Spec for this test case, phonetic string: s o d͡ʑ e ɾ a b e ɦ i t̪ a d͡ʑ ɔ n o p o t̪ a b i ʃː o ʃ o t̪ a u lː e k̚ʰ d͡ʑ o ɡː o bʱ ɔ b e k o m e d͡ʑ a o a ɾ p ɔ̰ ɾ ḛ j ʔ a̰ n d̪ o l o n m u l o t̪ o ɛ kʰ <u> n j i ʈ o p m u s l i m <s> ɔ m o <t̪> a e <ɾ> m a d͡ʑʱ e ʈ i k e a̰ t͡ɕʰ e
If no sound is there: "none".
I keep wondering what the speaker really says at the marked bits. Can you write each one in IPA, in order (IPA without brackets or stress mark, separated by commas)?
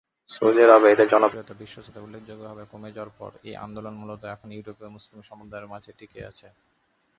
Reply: o, ʃ, d̪, ɾ